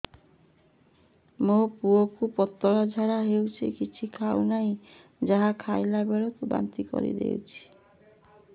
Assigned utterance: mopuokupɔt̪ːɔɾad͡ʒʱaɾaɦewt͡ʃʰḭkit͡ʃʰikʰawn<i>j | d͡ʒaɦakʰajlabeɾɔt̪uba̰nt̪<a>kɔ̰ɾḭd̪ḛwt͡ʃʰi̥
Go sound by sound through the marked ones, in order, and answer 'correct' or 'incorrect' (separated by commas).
incorrect, incorrect